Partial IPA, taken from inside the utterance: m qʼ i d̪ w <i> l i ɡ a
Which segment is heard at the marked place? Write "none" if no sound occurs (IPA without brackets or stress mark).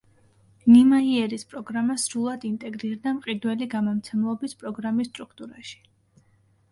ɛ